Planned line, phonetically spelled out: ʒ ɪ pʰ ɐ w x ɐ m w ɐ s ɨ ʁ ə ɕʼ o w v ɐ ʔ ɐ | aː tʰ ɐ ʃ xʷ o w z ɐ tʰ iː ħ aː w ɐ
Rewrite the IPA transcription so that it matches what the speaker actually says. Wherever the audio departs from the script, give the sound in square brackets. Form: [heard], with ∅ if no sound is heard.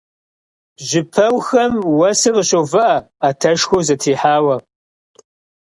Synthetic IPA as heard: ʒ ɪ pʰ ɐ w x ɐ m w ɐ s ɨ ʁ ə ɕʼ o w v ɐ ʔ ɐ | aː tʰ ɐ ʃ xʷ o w z ɐ tʰ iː ħ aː w ɐ